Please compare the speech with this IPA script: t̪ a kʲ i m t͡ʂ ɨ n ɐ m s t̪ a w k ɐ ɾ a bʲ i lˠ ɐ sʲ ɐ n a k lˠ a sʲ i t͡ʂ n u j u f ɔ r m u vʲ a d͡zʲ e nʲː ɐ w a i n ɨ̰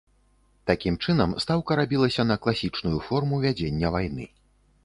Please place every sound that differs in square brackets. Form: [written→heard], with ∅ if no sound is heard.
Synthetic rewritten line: t̪ a kʲ i m t͡ʂ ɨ n ɐ m s t̪ a w k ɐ ɾ a bʲ i lˠ ɐ sʲ ɐ n [a→ɐ] k lˠ a sʲ i t͡ʂ n u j u f ɔ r m u vʲ a d͡zʲ e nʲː ɐ [w→v] a [i→j] n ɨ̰